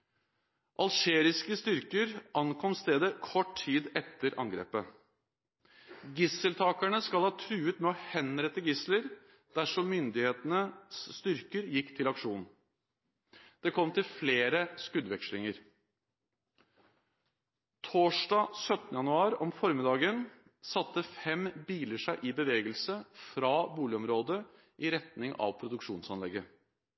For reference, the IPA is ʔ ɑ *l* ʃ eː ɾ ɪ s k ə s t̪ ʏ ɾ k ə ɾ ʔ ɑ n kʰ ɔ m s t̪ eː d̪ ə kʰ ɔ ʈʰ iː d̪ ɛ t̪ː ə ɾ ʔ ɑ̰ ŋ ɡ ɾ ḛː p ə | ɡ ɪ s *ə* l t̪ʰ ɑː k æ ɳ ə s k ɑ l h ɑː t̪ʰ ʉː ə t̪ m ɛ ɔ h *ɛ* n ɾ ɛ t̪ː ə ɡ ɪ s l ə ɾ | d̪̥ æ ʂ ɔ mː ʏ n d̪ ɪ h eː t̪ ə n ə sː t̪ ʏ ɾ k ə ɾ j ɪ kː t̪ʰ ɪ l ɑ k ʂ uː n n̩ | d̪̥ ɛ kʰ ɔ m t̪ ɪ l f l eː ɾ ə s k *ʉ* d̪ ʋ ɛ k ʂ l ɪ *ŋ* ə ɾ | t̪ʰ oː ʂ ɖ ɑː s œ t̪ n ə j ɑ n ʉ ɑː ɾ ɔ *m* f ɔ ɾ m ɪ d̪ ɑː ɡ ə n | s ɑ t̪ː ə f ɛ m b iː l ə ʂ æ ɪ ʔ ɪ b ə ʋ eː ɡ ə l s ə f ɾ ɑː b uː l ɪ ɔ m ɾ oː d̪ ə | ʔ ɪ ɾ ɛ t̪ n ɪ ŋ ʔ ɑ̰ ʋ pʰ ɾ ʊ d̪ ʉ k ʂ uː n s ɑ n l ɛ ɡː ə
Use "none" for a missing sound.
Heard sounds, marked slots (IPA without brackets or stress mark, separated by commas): l, ə, ɛ, ʉ, ŋ, m